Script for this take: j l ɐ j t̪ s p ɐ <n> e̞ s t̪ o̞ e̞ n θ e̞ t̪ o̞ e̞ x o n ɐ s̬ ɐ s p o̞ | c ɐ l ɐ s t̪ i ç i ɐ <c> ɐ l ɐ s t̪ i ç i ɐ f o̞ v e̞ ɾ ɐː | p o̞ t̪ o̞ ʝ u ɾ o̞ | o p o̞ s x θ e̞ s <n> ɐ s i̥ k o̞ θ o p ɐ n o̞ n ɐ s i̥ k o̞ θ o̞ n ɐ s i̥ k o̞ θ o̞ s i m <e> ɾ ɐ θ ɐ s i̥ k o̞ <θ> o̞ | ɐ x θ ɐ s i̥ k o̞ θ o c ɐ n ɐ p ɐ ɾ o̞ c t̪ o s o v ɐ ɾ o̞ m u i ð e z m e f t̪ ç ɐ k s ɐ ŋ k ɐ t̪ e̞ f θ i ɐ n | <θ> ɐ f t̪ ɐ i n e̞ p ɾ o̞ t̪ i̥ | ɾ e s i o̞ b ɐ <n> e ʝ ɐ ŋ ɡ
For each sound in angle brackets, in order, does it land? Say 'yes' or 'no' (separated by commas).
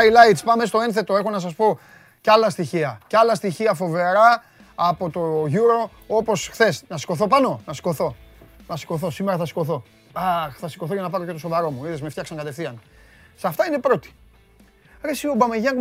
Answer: no, yes, yes, yes, yes, no, no